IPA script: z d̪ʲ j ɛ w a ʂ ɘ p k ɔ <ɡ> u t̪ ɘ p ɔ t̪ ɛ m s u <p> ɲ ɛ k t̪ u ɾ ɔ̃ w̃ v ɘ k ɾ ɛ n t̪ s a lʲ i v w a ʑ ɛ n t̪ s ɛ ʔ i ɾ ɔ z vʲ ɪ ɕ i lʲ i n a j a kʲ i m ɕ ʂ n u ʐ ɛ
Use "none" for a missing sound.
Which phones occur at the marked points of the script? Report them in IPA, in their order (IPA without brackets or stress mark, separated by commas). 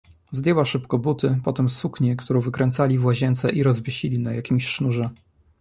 b, k